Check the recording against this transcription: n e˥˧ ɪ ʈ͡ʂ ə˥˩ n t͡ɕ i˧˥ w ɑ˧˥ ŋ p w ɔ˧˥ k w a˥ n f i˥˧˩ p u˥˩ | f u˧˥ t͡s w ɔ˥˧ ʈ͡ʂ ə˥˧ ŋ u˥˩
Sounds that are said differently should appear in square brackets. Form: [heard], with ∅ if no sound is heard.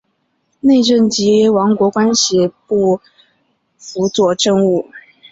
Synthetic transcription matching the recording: n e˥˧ ɪ ʈ͡ʂ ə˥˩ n t͡ɕ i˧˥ w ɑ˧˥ ŋ [k] w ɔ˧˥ k w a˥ n [ɕ] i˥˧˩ p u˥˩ | f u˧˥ t͡s w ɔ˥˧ ʈ͡ʂ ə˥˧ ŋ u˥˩